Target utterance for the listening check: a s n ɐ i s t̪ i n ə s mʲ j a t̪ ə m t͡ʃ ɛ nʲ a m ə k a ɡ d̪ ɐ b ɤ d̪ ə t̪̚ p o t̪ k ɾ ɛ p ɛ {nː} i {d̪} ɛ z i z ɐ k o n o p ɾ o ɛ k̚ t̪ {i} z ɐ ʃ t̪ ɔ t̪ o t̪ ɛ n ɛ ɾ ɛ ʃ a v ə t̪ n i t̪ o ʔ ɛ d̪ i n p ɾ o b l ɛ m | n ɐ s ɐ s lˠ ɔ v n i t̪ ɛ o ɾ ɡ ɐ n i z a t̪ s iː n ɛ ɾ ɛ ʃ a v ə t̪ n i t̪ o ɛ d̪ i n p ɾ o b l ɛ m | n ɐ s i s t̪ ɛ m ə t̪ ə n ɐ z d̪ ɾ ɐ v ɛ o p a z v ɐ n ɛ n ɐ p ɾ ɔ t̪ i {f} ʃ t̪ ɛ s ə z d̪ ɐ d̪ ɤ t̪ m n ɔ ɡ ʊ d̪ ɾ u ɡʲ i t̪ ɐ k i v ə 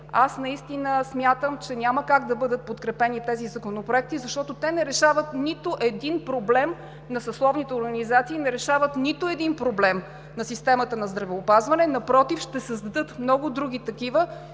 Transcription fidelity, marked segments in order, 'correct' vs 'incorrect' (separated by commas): incorrect, incorrect, correct, correct